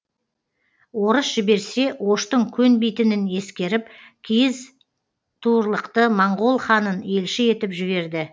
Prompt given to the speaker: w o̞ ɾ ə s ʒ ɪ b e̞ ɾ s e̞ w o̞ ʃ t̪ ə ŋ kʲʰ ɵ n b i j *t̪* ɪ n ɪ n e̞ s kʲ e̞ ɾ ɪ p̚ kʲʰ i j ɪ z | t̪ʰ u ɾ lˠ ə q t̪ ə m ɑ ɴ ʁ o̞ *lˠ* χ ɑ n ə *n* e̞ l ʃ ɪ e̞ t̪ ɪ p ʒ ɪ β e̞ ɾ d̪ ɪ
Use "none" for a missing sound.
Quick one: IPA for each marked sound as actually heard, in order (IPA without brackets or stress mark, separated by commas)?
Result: t̪, lˠ, n